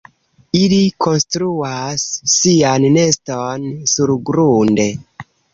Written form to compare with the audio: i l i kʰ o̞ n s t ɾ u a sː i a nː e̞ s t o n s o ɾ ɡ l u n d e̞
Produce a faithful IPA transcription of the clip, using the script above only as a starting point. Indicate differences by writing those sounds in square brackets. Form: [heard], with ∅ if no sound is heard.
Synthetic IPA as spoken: i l i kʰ o̞ n s t ɾ u a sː i a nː e̞ s t o n s [u] ɾ ɡ [ɾ] u n d e̞